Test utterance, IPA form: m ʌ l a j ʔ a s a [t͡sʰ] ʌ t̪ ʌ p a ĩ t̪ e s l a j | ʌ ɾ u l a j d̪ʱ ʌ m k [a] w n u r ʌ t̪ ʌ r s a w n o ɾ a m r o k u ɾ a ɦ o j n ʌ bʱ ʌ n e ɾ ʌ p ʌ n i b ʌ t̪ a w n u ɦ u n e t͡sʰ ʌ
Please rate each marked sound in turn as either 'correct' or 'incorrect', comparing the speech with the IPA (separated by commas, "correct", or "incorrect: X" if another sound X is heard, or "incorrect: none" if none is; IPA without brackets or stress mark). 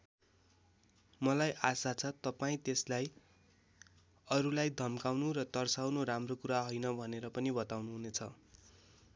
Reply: correct, correct